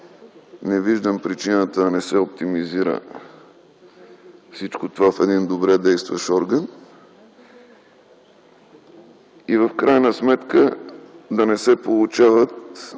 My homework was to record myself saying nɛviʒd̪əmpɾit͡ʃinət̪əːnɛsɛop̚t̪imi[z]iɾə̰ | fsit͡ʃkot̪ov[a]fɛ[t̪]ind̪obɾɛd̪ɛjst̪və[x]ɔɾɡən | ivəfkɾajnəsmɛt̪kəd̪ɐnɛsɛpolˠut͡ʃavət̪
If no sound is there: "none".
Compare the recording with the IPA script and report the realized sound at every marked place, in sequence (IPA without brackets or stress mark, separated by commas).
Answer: z, a, d̪, ʃ